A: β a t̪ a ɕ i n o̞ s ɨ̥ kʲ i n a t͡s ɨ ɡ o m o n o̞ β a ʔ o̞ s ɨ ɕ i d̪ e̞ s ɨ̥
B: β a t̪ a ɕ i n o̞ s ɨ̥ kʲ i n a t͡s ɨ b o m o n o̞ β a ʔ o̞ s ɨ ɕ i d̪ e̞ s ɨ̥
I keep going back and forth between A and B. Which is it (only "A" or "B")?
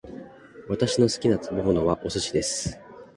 B